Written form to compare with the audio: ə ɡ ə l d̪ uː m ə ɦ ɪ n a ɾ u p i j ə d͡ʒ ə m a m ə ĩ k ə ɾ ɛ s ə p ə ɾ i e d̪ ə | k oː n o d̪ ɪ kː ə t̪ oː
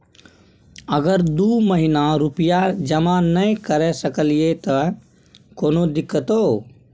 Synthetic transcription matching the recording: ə ɡ ə ɾ d̪ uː m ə ɦ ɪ n a ɾ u p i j a d͡ʒ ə m a n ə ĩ k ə ɾ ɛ s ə k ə l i e t̪ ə | k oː n o d̪ ɪ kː ə t̪ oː